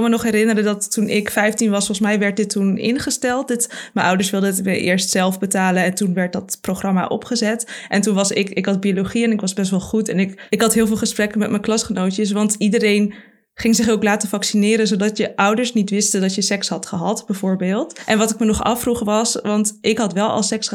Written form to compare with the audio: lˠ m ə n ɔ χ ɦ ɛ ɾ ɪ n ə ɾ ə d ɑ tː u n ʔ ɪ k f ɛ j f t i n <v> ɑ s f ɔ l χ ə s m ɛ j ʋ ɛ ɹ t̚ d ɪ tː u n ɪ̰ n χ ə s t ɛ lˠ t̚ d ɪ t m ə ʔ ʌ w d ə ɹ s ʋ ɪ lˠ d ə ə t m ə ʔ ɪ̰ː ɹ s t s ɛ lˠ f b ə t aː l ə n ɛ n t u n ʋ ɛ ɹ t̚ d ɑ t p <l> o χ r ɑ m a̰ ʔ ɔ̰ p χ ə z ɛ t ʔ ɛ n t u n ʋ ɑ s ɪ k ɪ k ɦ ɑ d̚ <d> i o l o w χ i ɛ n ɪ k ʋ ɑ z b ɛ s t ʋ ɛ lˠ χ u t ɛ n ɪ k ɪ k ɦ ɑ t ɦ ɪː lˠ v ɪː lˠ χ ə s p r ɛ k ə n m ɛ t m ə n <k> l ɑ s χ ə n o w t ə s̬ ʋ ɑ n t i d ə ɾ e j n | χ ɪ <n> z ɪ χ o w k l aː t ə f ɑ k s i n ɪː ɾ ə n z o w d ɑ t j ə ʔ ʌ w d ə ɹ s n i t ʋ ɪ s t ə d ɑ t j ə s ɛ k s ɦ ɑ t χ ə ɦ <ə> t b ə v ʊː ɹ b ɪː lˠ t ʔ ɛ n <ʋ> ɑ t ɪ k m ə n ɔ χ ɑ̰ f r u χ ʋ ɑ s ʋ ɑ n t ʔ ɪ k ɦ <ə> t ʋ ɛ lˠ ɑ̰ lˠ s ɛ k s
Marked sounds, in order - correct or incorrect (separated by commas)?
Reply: incorrect, incorrect, incorrect, correct, incorrect, incorrect, correct, incorrect